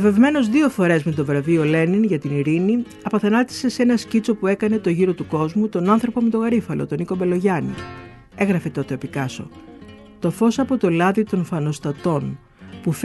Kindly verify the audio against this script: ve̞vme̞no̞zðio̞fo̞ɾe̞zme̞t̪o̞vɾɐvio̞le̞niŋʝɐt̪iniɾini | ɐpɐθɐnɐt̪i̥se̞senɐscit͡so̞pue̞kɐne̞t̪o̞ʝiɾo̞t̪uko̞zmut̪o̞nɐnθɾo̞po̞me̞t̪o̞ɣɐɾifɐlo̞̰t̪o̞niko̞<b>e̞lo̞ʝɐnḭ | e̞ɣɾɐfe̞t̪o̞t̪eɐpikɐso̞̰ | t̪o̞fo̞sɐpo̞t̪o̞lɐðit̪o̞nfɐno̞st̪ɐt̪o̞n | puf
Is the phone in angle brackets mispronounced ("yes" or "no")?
no